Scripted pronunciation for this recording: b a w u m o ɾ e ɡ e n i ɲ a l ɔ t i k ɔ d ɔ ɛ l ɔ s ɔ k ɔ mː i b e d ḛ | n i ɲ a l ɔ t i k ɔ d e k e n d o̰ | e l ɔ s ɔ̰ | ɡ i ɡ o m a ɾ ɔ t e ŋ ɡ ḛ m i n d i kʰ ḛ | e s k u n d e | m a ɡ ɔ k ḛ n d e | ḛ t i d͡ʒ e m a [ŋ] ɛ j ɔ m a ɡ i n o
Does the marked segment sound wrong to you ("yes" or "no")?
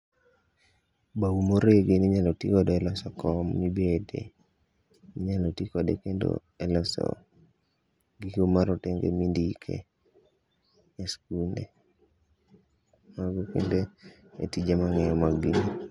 no